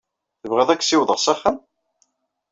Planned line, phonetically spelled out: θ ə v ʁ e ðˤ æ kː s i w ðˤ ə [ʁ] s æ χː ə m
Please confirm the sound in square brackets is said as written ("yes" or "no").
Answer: yes